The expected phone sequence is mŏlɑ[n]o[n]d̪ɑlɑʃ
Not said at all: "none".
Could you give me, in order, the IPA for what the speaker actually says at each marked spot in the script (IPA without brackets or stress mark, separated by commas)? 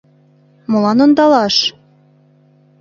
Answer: n, n